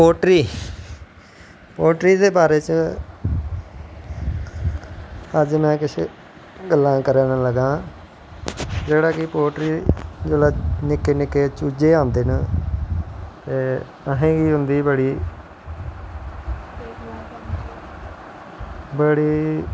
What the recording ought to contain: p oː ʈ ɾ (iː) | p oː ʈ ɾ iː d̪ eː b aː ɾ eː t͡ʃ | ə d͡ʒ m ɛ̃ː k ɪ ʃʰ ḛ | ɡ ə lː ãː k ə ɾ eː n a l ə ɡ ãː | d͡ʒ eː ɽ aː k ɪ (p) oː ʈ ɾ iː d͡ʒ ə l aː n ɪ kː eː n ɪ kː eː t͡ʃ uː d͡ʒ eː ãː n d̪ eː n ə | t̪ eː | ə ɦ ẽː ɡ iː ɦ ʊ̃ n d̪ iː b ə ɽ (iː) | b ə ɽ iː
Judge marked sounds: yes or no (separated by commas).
yes, yes, yes